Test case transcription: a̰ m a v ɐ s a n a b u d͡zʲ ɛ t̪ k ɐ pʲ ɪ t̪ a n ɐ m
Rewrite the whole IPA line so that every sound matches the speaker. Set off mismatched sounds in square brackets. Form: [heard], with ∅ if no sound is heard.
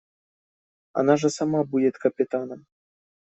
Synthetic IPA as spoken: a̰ [n] a [ʐ] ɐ s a [m] a b u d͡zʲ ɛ t̪ k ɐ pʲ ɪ t̪ a n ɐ m